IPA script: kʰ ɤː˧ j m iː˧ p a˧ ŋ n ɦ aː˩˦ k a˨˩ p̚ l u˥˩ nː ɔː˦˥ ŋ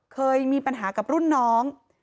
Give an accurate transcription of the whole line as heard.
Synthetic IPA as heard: kʰ ɤː˧ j m iː˧ p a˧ n ɦ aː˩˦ k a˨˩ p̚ ɾ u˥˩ nː ɔː˦˥ ŋ